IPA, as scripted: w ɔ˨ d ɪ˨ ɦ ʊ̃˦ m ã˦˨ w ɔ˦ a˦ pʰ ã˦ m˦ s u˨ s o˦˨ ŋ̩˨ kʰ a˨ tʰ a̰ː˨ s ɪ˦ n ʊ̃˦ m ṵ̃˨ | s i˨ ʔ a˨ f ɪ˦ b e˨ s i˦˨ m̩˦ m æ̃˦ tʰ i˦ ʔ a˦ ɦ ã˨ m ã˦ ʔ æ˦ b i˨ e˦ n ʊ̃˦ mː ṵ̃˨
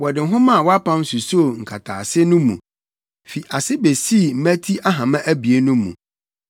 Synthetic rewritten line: w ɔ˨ d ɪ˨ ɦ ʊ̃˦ m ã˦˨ w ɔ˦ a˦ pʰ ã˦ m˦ s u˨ s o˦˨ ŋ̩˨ kʰ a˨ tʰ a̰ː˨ s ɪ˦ n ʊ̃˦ m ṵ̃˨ | f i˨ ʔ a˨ s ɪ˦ b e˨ s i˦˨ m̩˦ m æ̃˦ tʰ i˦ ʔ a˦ ɦ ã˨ m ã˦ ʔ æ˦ b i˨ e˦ n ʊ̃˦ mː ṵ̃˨